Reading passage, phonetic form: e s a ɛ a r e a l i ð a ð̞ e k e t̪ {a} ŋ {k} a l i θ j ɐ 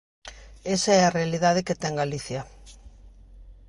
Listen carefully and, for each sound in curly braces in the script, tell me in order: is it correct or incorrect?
incorrect: ɛ, incorrect: ɡ

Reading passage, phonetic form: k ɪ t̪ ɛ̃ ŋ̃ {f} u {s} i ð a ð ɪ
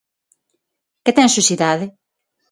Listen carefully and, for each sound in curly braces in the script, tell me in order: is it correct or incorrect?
incorrect: s, correct

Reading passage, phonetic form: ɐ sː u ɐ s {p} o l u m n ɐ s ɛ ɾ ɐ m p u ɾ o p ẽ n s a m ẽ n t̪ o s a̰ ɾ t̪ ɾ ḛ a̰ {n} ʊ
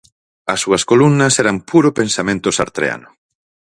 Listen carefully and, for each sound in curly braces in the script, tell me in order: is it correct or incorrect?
incorrect: k, correct

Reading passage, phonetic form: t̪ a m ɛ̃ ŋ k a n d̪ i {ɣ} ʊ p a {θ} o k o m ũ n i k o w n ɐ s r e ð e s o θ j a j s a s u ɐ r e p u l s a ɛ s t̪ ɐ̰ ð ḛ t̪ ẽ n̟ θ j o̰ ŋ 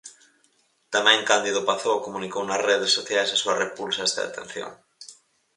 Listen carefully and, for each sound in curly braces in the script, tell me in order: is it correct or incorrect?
incorrect: ð, correct

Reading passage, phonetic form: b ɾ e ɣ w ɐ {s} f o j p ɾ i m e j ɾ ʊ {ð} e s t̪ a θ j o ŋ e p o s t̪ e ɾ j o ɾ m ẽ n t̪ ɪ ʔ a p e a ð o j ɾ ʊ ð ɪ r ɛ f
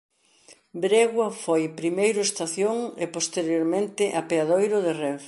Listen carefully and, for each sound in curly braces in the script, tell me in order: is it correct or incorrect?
incorrect: none, incorrect: none

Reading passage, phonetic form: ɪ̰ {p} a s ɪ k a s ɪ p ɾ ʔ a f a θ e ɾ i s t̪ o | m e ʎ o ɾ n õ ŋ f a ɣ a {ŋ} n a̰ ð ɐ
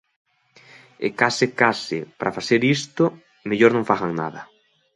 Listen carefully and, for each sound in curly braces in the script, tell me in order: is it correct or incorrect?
incorrect: k, correct

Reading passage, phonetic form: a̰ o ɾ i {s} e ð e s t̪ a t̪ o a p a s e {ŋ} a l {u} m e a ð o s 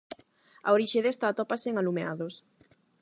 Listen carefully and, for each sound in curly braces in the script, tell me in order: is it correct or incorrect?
incorrect: ʃ, correct, correct

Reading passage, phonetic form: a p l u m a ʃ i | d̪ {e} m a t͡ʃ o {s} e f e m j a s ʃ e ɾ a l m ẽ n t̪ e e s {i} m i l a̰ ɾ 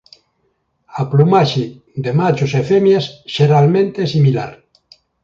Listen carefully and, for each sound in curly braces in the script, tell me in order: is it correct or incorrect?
correct, correct, correct

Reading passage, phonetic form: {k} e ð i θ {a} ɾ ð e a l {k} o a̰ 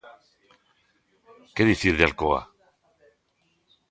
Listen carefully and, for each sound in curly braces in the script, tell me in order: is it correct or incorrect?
correct, incorrect: i, correct

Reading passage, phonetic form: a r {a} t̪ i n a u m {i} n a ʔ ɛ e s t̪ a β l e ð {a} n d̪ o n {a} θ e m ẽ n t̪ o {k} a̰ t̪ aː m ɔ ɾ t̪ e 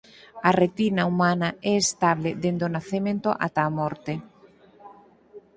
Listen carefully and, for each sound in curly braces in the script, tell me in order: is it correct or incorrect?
incorrect: e, incorrect: a, incorrect: e, correct, incorrect: ʔ

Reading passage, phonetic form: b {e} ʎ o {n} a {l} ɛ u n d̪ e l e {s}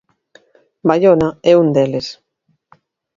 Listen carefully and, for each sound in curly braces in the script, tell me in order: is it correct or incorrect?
incorrect: a, correct, incorrect: none, correct

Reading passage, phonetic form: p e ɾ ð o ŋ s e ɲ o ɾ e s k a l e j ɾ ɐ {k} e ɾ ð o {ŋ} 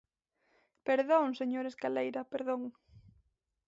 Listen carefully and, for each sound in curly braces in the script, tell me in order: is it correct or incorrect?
incorrect: p, correct

